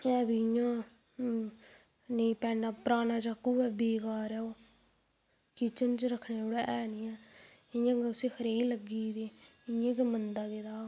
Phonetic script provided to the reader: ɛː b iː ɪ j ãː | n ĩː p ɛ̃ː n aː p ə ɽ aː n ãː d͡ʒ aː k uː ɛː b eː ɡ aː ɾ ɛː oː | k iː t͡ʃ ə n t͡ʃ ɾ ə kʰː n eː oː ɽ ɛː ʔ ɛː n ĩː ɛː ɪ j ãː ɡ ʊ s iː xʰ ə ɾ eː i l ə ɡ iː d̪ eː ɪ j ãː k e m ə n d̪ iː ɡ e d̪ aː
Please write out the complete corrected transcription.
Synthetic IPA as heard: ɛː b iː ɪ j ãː | n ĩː p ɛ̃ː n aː p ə ɾ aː n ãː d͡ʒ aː k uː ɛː b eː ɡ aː ɾ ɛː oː | k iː t͡ʃ ə n t͡ʃ ɾ ə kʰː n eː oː ɽ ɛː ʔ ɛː n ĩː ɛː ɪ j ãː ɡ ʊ s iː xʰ ə ɾ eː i l ə ɡ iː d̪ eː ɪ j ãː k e m ə n d̪ aː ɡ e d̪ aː